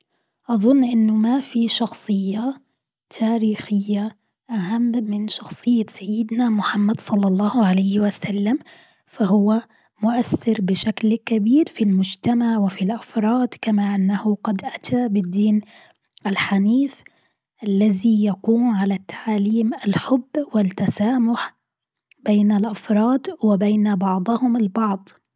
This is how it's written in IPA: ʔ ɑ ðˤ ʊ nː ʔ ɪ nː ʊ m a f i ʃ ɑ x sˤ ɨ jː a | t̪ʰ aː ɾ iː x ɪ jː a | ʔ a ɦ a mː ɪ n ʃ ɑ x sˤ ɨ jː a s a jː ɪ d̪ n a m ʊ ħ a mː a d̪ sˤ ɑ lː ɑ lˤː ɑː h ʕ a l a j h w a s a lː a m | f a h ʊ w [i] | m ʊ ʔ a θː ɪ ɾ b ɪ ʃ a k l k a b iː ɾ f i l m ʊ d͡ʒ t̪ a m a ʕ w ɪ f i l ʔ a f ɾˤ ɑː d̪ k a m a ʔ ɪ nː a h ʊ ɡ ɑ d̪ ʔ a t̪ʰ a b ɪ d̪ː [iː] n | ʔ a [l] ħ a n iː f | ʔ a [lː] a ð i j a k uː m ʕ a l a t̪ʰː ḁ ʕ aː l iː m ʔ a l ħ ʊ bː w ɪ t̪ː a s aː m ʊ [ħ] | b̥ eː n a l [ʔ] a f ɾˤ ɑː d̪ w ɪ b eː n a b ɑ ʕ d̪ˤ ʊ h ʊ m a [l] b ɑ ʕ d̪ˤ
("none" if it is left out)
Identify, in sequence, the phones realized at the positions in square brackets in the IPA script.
a, iː, l, lː, ħ, ʔ, l

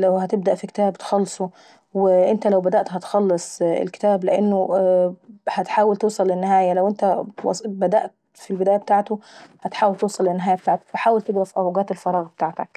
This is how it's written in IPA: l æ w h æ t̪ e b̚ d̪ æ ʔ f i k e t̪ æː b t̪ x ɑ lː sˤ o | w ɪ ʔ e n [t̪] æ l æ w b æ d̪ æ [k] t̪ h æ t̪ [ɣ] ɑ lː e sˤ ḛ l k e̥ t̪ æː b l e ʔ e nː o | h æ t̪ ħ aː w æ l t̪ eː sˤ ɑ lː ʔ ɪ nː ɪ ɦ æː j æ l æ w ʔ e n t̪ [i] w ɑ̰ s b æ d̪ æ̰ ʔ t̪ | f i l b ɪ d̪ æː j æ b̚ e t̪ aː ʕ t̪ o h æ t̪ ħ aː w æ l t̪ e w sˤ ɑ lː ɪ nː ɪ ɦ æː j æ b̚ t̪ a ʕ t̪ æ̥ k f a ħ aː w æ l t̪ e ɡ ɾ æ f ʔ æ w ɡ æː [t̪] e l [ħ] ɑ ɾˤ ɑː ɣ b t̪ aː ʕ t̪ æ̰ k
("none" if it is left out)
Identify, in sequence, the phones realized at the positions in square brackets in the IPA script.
t̪, ʔ, x, æ, t̪, f

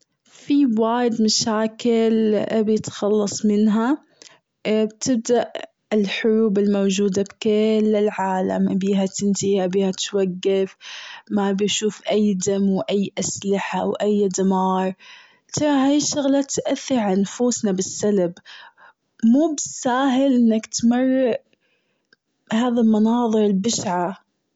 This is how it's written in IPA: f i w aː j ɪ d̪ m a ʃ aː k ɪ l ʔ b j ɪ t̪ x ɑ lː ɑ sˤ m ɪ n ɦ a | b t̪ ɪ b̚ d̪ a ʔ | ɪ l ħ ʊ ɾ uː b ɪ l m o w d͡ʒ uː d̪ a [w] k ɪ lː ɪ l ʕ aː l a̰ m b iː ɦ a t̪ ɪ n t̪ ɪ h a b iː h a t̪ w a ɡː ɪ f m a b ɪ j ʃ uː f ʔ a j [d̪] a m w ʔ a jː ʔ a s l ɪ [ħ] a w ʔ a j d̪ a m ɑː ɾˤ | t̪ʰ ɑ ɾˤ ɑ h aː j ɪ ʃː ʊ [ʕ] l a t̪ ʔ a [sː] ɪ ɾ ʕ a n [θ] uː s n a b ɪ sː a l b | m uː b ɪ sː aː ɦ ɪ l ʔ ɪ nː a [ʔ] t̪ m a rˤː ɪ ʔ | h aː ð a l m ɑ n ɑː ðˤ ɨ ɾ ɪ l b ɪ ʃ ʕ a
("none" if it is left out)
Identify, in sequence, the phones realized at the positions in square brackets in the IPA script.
b, d̪, ħ, ɣ, θː, f, k

